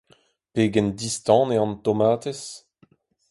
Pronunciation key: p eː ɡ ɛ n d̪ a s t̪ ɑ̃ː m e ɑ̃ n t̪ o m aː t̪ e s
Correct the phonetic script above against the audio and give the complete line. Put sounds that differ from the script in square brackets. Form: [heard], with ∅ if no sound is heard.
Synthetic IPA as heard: p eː ɡ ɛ n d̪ [i] s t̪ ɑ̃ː [n] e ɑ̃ n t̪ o m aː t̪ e s